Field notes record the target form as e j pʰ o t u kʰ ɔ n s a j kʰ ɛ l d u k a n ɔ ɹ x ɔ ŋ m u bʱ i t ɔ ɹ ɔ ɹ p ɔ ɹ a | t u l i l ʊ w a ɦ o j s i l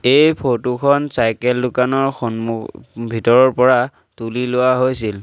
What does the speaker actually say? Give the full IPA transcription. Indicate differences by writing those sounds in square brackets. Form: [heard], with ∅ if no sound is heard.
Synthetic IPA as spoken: e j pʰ o t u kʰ ɔ n s a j [k] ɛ l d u k a n ɔ ɹ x ɔ [n] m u bʱ i t ɔ ɹ ɔ ɹ p ɔ ɹ a | t u l i l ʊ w a ɦ o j s i l